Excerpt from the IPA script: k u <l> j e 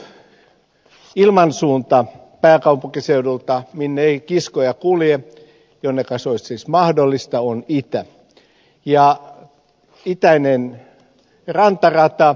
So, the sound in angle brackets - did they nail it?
yes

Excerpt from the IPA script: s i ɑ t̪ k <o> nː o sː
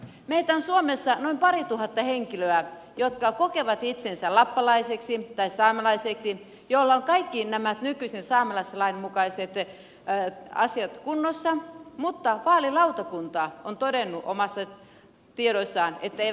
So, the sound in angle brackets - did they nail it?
no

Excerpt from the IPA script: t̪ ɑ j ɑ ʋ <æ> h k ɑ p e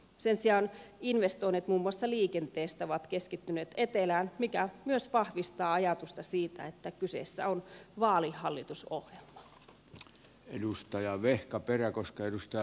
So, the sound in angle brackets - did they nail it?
no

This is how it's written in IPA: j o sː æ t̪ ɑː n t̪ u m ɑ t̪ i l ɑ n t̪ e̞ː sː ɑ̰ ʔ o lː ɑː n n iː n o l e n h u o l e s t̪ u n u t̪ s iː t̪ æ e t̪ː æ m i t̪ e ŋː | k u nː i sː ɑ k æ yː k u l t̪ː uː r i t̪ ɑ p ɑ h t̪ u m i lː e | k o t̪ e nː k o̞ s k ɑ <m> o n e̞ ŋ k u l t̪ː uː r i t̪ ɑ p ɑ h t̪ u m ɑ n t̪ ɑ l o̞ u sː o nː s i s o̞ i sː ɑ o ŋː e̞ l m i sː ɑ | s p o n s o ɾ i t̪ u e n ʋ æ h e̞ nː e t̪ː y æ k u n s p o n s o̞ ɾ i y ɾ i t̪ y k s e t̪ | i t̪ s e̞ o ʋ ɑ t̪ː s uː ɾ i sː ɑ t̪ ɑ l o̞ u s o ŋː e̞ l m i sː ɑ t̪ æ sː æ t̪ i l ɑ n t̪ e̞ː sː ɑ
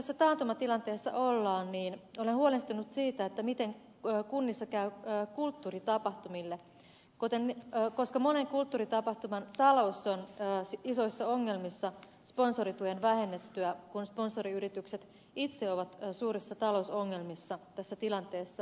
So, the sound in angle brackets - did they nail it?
yes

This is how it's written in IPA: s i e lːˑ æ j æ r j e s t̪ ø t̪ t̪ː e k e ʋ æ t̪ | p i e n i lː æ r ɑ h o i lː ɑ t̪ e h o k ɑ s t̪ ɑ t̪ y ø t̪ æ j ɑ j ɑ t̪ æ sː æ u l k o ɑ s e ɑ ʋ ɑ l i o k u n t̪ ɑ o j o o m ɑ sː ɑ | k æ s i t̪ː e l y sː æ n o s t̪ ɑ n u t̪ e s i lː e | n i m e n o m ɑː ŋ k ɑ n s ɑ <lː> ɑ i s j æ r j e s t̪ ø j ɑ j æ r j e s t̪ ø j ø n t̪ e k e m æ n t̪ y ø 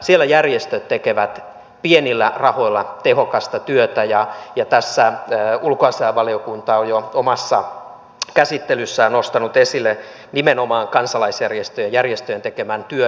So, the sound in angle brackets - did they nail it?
no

